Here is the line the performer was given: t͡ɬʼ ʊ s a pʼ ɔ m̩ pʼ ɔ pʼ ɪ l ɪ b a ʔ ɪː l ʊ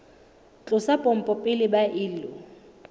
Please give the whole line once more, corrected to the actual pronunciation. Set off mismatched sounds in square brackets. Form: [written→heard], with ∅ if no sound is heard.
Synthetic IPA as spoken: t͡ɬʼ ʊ s a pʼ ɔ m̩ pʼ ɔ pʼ ɪ l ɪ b a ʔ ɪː l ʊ